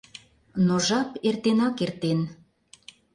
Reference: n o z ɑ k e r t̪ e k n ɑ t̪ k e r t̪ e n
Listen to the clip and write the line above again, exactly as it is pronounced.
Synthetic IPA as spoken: n o ʒ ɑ p e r t̪ e n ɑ k e r t̪ e n